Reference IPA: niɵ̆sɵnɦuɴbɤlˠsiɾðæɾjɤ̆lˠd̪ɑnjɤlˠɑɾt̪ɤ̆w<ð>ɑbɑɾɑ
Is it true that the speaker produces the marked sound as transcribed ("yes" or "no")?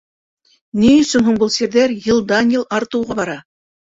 no